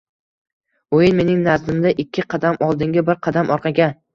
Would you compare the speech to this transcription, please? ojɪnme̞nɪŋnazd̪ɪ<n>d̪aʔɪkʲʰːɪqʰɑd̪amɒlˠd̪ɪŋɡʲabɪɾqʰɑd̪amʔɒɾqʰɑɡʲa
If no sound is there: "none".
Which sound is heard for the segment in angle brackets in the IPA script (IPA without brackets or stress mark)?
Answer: m